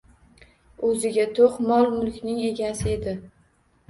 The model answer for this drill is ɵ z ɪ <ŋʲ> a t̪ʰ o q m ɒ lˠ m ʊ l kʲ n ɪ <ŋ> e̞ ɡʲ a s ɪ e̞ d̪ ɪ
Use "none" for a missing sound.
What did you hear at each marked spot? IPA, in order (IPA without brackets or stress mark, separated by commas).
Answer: ɡʲ, ŋ